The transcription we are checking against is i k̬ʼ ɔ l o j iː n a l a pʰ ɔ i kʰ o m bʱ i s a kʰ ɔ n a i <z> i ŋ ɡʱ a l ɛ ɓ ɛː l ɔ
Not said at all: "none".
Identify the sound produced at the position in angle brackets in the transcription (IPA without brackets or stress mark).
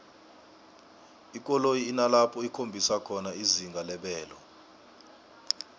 z